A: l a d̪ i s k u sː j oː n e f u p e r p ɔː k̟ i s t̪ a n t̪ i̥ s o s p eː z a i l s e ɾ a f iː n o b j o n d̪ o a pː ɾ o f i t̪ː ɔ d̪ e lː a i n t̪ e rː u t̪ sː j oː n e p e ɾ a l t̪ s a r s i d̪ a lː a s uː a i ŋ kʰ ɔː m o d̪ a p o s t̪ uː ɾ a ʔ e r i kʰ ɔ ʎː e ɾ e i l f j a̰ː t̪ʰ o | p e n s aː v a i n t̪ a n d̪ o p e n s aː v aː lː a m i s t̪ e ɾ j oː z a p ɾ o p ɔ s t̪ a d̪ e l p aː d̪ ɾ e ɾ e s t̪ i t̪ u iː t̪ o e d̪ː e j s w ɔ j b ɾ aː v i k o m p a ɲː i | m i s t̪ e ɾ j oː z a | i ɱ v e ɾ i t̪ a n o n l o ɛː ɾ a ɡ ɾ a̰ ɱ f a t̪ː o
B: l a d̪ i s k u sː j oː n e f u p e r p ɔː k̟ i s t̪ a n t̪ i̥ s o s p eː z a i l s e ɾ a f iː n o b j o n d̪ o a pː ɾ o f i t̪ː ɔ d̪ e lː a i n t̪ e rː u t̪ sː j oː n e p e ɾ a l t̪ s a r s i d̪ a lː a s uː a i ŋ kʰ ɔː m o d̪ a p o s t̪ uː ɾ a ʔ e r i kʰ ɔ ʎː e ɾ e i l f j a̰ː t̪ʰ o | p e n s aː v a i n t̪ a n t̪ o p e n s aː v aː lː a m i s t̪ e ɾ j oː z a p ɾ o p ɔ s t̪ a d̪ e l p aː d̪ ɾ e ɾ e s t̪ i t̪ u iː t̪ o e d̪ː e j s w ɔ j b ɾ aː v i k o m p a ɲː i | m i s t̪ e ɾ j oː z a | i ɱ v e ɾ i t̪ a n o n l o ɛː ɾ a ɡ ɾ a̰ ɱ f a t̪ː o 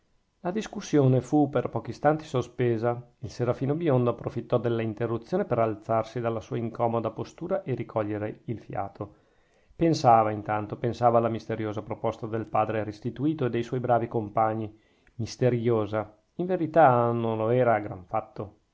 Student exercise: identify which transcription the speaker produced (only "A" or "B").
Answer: B